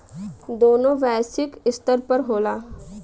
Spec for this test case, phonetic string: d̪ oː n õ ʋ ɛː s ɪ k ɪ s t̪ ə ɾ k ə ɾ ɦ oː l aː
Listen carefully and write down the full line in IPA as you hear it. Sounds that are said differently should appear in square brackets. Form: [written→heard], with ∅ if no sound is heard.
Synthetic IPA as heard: d̪ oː n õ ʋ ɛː s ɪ k ɪ s t̪ ə ɾ [k→p] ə ɾ ɦ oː l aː